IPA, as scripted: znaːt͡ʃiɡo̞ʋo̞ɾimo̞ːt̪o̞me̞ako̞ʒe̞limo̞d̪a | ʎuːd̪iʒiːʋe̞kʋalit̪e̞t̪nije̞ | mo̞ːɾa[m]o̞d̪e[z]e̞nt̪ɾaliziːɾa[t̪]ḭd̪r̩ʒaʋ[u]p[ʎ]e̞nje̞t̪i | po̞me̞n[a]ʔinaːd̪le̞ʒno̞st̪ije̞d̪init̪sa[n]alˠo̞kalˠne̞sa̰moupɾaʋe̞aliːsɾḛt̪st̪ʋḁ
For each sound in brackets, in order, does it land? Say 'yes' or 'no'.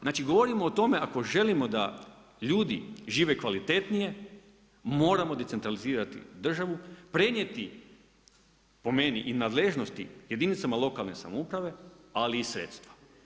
yes, no, yes, yes, no, no, no

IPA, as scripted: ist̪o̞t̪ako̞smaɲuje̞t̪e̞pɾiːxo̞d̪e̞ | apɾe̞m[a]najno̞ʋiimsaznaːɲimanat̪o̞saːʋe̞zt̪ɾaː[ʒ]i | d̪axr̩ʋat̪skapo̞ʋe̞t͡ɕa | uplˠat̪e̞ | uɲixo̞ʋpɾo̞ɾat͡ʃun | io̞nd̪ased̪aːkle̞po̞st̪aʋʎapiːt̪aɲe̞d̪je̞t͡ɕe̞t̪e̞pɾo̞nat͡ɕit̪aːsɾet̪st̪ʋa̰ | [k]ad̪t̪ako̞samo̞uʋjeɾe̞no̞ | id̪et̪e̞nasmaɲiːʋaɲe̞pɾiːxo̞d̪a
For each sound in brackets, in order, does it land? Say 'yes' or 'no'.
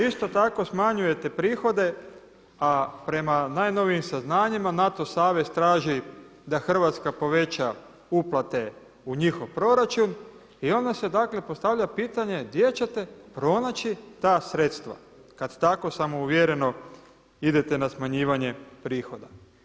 yes, yes, yes

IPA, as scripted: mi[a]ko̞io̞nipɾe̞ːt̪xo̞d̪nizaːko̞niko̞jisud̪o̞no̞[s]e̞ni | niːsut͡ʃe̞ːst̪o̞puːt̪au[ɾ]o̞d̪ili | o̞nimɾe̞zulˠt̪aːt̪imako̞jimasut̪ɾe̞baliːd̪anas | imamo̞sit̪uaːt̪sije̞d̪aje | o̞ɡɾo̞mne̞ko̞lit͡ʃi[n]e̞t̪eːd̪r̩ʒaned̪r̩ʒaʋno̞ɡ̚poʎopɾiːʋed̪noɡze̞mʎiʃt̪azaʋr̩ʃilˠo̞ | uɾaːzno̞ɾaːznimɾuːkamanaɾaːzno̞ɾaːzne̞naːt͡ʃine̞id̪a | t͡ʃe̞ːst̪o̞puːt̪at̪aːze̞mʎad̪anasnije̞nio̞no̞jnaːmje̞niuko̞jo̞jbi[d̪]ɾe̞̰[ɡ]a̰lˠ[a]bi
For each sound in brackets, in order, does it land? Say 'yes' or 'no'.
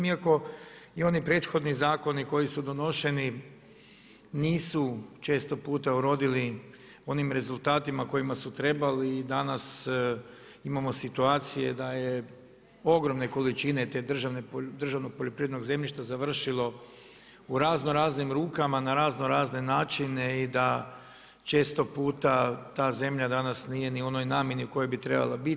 yes, no, yes, yes, no, no, yes

